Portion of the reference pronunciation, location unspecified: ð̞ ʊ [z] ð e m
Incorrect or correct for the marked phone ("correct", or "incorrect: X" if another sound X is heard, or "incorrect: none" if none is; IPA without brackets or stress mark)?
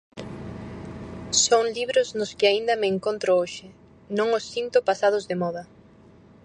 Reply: correct